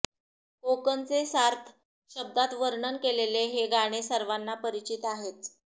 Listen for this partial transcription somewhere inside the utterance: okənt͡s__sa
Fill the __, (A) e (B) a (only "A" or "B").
A